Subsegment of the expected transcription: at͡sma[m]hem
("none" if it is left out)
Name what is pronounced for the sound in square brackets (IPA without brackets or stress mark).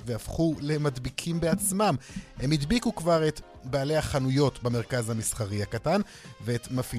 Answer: m